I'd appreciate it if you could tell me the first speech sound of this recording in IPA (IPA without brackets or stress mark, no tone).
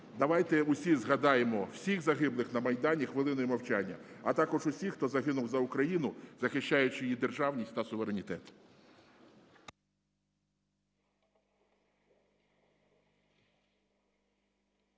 d̪